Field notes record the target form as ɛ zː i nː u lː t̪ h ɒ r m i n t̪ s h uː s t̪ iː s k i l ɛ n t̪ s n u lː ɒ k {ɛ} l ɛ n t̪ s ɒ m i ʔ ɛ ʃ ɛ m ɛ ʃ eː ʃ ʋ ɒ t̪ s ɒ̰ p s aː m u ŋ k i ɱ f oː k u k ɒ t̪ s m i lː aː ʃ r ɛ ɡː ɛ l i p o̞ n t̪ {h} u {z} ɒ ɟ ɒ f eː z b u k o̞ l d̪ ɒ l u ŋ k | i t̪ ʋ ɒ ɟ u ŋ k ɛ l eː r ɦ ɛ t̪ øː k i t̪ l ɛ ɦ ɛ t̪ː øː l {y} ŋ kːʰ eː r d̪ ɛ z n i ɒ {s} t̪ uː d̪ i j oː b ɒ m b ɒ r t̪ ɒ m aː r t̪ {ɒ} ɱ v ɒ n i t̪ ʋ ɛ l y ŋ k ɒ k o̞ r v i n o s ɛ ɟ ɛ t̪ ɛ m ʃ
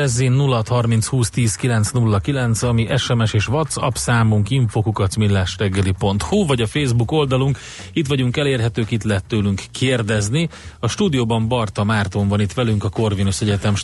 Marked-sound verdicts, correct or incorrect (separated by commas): incorrect, correct, incorrect, correct, incorrect, incorrect